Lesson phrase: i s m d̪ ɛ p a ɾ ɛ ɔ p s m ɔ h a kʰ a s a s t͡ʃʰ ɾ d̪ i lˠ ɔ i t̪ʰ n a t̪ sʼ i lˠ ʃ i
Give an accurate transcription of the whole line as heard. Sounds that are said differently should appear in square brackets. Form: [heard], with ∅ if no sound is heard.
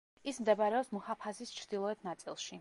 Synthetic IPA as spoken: i s m d̪ ɛ [b] a ɾ ɛ ɔ p s m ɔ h a [pʰ] a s [i] s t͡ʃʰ ɾ d̪ i lˠ ɔ [ɛ] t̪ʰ n a t̪ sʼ i lˠ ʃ i